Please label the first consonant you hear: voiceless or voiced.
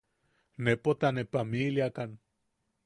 voiced